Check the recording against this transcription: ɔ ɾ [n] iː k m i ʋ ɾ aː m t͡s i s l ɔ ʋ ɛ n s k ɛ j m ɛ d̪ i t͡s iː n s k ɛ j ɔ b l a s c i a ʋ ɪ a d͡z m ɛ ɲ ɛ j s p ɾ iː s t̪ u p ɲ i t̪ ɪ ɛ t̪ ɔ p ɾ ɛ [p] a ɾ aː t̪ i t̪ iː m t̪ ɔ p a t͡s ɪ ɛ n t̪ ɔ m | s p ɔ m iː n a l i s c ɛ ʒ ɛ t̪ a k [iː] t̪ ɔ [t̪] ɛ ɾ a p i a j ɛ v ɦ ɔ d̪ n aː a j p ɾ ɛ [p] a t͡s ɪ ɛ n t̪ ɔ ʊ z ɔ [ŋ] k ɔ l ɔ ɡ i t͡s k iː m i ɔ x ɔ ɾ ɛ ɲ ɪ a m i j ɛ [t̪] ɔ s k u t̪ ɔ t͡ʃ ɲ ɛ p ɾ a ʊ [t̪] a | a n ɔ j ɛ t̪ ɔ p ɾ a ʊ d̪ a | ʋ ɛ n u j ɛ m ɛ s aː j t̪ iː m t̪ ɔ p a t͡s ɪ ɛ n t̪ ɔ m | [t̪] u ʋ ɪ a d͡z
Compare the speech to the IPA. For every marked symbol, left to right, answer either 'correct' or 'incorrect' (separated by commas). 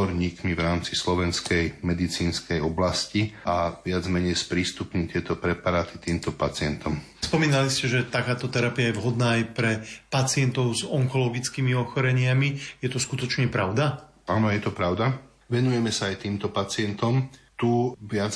incorrect, correct, incorrect, correct, correct, correct, correct, incorrect, correct